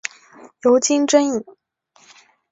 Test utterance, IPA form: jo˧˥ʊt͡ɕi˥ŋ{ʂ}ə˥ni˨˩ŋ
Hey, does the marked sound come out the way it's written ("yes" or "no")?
no